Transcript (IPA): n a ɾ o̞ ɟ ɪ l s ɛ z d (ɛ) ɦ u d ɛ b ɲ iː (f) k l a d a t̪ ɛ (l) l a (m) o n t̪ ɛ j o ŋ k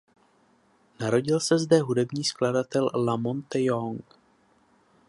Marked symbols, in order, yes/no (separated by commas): yes, no, yes, yes